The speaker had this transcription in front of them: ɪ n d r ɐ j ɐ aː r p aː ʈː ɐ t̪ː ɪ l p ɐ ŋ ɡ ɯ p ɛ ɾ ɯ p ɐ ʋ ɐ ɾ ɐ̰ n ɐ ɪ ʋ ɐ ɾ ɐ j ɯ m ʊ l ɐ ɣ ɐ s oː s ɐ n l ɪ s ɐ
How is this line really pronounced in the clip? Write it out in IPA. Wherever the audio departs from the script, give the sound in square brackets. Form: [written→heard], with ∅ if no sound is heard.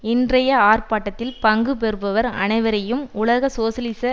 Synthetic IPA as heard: ɪ n d r ɐ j ɐ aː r p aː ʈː ɐ t̪ː ɪ l p ɐ ŋ ɡ ɯ p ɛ ɾ ɯ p ɐ ʋ ɐ ɾ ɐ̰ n ɐ ɪ ʋ ɐ ɾ ɐ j ɯ m ʊ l ɐ ɣ ɐ s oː s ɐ [n→∅] l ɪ s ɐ

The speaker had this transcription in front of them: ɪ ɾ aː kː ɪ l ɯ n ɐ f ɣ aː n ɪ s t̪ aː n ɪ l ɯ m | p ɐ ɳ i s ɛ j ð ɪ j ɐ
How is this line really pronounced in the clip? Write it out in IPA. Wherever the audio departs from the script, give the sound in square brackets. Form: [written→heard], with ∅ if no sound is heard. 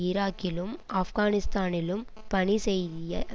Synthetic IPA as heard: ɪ ɾ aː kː ɪ l ɯ [n→m] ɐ f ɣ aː n ɪ s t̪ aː n ɪ l ɯ m | p ɐ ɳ i s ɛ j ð ɪ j ɐ

